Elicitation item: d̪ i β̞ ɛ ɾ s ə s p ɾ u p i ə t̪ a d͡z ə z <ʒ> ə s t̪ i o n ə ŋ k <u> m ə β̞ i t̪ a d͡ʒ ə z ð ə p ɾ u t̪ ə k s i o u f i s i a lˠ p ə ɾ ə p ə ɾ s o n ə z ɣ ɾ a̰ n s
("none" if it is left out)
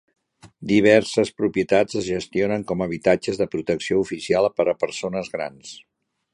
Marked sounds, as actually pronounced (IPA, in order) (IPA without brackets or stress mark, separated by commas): ʒ, ɔ